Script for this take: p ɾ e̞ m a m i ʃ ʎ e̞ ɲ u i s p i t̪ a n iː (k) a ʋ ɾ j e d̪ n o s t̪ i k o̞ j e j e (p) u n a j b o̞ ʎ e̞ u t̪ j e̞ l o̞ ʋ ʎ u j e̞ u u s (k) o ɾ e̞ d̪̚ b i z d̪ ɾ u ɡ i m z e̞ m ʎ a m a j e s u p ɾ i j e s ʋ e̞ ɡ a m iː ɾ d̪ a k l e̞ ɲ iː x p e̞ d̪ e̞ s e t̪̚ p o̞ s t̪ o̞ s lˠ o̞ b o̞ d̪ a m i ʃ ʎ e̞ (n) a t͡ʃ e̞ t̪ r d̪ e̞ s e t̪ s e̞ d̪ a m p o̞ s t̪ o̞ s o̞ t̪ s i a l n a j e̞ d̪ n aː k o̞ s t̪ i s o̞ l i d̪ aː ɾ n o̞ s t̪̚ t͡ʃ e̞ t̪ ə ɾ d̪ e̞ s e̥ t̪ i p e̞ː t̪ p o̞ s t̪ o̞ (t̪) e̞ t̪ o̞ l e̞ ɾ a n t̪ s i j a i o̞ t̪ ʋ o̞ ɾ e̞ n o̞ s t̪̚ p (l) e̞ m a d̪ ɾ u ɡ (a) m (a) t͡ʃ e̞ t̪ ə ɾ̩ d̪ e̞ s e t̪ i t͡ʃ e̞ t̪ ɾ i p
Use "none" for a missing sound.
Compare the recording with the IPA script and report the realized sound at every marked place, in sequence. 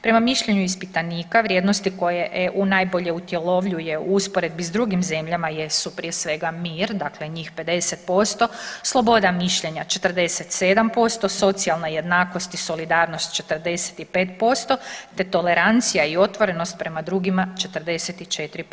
k, ʔ, p, ɲ, t̪, ɾ, i, a

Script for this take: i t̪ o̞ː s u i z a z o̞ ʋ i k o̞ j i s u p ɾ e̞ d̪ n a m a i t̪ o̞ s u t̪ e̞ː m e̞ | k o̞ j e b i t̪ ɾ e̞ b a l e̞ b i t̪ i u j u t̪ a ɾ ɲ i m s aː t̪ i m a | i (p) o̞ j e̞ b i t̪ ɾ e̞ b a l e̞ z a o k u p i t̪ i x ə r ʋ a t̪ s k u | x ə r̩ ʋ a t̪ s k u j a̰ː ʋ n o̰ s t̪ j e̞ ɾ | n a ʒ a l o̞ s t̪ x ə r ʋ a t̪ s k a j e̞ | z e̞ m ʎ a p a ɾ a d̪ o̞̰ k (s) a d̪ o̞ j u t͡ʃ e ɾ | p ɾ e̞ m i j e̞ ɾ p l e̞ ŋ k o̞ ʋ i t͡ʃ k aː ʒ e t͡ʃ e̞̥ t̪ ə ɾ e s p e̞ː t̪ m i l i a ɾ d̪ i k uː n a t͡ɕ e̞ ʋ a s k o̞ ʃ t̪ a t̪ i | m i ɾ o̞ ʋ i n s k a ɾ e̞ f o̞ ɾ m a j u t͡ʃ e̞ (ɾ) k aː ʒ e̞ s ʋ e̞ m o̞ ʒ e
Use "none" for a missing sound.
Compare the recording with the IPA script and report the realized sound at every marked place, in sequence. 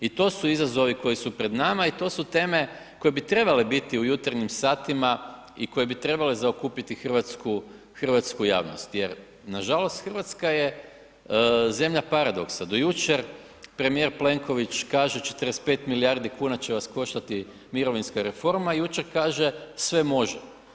k, s, ɾ

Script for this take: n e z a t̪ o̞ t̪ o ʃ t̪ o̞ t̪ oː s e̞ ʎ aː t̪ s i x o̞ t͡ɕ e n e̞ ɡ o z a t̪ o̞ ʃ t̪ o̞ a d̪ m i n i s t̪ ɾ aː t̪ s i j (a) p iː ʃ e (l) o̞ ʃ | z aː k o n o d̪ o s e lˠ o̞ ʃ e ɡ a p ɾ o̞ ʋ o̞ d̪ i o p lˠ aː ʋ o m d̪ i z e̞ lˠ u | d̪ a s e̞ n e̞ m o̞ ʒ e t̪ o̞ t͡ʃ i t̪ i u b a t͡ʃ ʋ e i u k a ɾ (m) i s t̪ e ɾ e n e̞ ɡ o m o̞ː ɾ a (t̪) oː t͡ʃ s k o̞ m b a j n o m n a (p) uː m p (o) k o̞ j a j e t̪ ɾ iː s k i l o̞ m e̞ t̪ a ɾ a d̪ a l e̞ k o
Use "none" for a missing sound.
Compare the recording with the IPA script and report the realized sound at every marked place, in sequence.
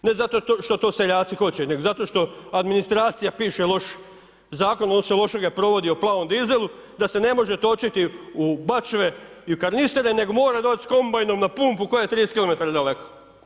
a, l, n, d̪, p, u

